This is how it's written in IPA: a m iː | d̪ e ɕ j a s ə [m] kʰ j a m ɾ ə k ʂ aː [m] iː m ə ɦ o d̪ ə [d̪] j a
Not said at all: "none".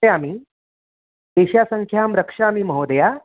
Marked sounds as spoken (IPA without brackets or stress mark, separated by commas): ŋ, m, none